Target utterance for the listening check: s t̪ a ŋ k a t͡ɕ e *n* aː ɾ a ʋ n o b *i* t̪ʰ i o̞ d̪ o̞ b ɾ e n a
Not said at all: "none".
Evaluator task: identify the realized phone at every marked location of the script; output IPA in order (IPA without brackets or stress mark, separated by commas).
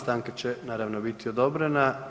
n, i